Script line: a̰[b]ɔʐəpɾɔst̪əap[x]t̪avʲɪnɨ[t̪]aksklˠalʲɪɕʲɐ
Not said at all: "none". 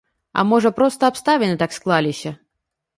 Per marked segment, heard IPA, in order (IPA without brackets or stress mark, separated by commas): m, s, t̪